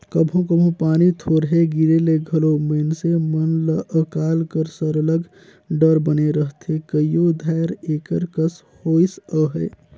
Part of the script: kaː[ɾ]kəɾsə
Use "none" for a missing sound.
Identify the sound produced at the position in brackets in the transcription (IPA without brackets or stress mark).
l